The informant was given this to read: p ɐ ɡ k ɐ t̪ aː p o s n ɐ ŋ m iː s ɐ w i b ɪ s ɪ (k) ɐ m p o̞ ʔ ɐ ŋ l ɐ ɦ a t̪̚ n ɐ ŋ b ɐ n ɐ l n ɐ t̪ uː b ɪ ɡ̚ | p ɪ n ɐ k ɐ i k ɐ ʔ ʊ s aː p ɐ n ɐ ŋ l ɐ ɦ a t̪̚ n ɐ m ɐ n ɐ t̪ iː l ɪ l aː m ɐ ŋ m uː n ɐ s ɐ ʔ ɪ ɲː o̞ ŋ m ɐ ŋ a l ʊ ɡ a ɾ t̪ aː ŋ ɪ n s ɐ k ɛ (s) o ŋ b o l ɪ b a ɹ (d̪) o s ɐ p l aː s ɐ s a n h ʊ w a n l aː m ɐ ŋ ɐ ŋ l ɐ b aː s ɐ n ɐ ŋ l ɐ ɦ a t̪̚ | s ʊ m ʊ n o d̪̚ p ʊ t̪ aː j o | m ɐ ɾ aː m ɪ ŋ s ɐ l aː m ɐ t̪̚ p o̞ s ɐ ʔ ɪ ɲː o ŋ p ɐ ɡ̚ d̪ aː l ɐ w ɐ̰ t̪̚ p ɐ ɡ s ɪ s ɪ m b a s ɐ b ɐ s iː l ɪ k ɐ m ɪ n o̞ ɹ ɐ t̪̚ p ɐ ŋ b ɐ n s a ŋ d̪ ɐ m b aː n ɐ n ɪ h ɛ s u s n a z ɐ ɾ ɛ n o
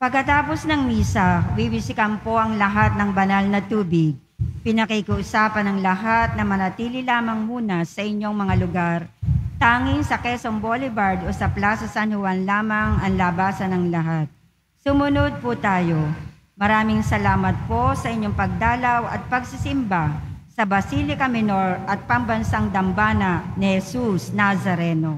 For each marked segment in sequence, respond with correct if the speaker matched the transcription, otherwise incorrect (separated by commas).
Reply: correct, correct, correct